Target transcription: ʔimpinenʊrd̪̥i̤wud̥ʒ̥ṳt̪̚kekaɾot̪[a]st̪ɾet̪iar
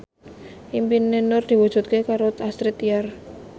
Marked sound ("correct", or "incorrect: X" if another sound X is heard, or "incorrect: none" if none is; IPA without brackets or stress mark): correct